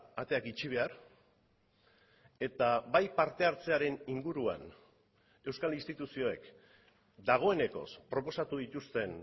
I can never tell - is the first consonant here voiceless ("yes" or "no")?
yes